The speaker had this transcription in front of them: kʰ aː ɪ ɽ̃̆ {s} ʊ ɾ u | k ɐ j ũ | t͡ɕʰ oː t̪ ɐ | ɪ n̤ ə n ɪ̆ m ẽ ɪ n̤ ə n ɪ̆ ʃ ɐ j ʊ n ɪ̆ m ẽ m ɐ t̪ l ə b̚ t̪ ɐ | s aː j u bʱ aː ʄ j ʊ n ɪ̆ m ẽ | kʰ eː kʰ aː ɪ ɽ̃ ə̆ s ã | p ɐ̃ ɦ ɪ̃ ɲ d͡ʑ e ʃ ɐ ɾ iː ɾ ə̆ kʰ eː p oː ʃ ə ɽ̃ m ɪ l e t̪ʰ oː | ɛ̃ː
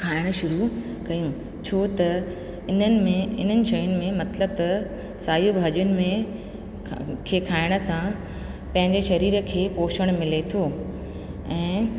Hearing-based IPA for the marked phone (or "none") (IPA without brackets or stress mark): ʃ